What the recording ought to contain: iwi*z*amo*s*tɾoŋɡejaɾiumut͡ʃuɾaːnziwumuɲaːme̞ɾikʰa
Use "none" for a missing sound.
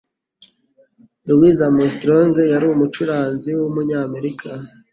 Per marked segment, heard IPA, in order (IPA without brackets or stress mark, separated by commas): z, s